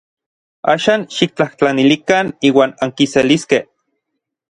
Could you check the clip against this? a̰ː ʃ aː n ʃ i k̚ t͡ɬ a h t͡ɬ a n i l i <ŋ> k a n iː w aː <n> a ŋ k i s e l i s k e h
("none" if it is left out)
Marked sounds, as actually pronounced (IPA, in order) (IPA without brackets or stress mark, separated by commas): none, n